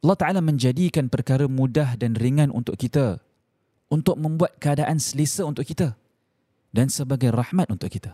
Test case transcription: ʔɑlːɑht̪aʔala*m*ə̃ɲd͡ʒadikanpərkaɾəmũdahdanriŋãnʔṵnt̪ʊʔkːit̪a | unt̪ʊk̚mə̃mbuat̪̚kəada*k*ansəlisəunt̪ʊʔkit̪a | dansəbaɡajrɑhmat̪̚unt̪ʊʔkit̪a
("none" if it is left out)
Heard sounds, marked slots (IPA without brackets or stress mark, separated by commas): m, ʔ